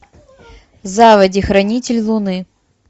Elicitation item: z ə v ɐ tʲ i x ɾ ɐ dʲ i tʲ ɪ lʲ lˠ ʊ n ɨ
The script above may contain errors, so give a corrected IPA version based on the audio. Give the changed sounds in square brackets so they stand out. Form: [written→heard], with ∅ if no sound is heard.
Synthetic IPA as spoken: z [ə→a] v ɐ [tʲ→dʲ] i x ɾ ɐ [dʲ→nʲ] i tʲ ɪ lʲ lˠ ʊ n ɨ